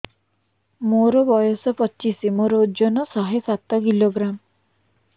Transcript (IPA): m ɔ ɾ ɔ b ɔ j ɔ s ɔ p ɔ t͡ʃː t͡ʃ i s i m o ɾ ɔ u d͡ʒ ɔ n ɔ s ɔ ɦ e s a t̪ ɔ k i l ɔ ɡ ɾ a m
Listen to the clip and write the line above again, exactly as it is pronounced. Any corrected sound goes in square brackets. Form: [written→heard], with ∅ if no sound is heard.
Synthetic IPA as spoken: m [ɔ→o] ɾ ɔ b ɔ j ɔ s ɔ p ɔ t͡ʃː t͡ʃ i s i m o ɾ ɔ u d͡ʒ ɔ n ɔ s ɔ ɦ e s a t̪ ɔ k i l [ɔ→o] ɡ ɾ a m